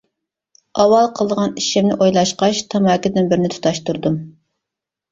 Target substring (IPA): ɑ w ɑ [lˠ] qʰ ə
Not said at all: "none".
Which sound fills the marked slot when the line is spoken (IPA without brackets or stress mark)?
lˠ